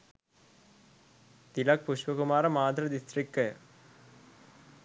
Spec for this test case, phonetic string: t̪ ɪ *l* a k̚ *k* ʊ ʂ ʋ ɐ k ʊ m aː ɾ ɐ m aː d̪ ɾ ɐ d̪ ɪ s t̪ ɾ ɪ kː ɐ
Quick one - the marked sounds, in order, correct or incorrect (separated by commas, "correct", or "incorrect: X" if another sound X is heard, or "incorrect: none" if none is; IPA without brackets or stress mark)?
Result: correct, incorrect: p